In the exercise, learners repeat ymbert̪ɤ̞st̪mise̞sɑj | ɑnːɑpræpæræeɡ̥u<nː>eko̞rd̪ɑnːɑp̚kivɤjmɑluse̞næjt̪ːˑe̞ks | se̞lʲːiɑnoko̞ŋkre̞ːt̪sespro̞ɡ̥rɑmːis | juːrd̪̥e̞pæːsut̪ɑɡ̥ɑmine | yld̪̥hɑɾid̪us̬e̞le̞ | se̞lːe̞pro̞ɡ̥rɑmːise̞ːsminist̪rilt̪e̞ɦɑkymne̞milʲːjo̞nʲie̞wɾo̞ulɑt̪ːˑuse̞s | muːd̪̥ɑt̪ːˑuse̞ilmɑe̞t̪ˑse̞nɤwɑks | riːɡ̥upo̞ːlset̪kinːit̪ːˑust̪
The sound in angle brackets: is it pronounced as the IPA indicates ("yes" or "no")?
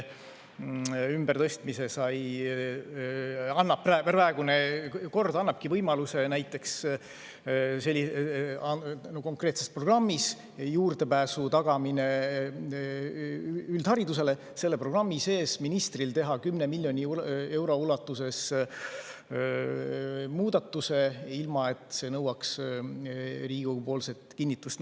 no